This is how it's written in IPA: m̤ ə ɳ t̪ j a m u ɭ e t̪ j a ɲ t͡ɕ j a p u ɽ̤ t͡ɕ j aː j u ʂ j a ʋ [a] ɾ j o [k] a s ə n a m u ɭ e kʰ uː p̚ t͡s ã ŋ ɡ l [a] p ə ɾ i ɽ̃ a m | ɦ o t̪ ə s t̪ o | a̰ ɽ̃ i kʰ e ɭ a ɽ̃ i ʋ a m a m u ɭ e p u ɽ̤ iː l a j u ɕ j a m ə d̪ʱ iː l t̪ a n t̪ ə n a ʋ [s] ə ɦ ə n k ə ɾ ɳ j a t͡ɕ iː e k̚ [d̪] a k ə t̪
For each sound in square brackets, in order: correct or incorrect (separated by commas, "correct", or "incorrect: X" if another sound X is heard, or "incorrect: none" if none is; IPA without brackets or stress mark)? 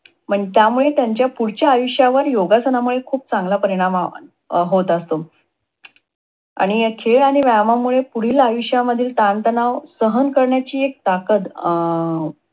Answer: incorrect: ə, incorrect: ɡ, correct, correct, incorrect: t̪